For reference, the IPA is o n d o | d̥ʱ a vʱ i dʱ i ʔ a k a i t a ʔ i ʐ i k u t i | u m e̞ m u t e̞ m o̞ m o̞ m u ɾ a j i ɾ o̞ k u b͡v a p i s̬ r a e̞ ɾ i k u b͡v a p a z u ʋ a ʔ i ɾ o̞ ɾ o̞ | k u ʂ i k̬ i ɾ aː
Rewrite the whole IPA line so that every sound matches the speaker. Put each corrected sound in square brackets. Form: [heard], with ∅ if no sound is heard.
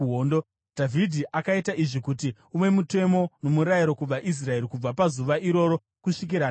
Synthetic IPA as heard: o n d o | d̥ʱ a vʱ i dʱ i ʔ a k a i t a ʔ i ʐ i k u t i | u m e̞ m u t e̞ m o̞ [n] o̞ m u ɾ a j i ɾ o̞ k u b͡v a [ʔ] i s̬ r a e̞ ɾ i k u b͡v a p a z u ʋ a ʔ i ɾ o̞ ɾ o̞ | k u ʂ i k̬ i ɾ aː